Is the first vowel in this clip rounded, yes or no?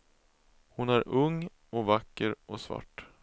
yes